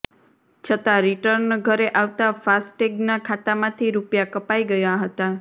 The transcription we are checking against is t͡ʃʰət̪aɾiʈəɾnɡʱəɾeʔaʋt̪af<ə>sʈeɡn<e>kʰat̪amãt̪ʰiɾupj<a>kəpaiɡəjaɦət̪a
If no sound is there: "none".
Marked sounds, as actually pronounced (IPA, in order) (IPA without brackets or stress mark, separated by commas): a, a, a